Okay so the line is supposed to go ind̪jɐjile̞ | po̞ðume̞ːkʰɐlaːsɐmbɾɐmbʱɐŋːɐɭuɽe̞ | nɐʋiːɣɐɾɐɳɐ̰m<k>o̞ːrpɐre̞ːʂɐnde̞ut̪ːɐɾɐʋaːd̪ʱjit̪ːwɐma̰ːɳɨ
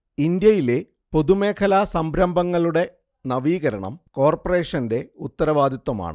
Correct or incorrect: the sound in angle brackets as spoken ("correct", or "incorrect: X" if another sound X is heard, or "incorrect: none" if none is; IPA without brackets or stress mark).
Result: correct